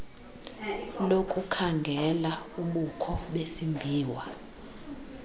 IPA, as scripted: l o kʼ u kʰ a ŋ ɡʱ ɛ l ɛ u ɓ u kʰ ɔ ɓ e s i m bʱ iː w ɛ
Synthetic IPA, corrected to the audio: l o kʼ u kʰ a ŋ ɡʱ ɛ l a u ɓ u kʰ ɔ ɓ e s i m bʱ iː w a